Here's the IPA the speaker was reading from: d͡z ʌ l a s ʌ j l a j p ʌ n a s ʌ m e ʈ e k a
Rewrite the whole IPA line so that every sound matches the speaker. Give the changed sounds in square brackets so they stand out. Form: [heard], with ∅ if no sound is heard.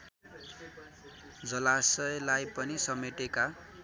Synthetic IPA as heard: d͡z ʌ l a s ʌ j l a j p ʌ n [i] s ʌ m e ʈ e k a